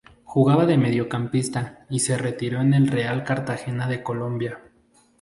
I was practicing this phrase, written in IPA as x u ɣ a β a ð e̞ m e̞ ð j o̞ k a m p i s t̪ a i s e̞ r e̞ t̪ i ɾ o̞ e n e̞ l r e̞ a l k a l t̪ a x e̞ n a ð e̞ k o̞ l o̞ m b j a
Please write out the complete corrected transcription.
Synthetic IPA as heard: x u ɣ a β a ð e̞ m e̞ ð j o̞ k a m p i s t̪ a i s e̞ r e̞ t̪ i ɾ o̞ e n e̞ l r e̞ a l k a ɾ t̪ a x e̞ n a ð e̞ k o̞ l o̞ m b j a